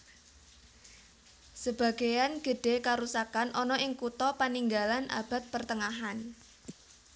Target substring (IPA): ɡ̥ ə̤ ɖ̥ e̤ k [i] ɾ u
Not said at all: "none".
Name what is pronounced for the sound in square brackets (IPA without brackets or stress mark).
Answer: a